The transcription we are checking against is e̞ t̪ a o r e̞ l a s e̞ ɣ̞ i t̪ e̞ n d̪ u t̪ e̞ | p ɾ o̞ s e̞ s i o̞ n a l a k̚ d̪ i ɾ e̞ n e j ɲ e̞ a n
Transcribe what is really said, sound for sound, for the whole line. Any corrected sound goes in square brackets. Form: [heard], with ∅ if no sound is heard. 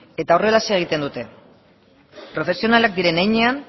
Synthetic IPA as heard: e̞ t̪ a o r e̞ l a s e̞ ɣ̞ i t̪ e̞ n d̪ u t̪ e̞ | p ɾ o̞ [f] e̞ s i o̞ n a l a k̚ d̪ i ɾ e̞ n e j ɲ e̞ a n

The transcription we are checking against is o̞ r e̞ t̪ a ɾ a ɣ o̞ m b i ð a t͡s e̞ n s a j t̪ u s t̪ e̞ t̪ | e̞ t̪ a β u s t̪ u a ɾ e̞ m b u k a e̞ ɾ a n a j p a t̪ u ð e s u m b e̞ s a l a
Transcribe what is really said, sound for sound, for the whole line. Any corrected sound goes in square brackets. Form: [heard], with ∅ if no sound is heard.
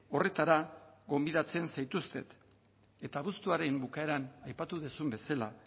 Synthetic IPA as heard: o̞ r e̞ t̪ a ɾ a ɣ o̞ m b i ð a t͡s e̞ n s a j t̪ u s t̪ e̞ t̪ | e̞ t̪ a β u s t̪ u a ɾ e̞ m b u k a e̞ ɾ a n a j p a t̪ u ð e s u m b e̞ s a l a

